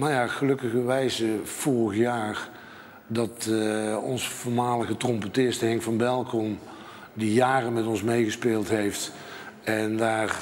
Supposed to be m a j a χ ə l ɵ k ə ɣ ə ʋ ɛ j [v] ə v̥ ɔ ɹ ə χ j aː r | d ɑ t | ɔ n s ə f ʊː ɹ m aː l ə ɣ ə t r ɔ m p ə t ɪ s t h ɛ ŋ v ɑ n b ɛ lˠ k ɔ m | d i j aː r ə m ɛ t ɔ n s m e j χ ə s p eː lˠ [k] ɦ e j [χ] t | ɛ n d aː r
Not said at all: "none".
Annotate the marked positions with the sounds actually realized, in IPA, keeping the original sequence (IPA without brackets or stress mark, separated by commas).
z, t, f